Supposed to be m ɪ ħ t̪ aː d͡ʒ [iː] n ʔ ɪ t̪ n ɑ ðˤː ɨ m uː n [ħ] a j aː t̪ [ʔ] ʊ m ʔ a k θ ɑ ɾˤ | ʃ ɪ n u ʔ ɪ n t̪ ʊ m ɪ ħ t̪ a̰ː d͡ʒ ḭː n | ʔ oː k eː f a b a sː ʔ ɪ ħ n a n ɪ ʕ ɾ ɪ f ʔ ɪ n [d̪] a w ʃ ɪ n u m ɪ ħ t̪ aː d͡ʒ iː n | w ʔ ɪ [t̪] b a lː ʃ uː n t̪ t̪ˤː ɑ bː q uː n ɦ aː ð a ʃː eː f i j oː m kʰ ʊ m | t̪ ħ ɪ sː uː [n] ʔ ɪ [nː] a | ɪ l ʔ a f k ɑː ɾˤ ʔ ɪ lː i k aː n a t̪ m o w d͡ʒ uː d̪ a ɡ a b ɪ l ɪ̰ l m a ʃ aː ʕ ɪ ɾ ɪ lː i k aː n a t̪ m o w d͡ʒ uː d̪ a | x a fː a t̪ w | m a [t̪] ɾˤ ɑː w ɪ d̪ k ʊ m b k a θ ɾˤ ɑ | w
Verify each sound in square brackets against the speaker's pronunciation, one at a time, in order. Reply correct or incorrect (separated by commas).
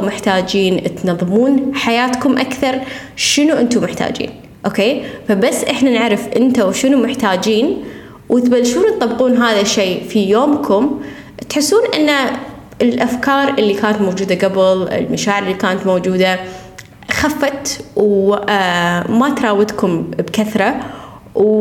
correct, correct, incorrect, incorrect, correct, correct, correct, correct